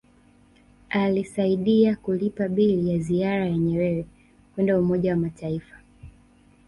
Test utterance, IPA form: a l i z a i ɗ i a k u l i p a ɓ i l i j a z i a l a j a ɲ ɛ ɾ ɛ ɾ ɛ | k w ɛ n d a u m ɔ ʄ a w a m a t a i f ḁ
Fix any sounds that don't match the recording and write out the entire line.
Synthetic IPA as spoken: a l i s a i ɗ i a k u l i p a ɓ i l i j a z i a ɾ a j a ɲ ɛ ɾ ɛ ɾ ɛ | k w ɛ n d a u m ɔ ʄ a w a m a t a i f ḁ